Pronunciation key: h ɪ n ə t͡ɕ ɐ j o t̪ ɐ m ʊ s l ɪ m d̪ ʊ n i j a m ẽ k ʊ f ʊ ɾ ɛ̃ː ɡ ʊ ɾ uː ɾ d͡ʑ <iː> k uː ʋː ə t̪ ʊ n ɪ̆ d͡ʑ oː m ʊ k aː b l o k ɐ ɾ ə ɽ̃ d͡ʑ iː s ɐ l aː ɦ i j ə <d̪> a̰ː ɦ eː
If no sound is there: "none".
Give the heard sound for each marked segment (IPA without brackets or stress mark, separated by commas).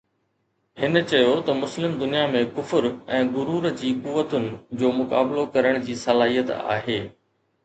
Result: iː, t̪